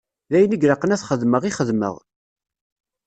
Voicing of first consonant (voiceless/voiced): voiced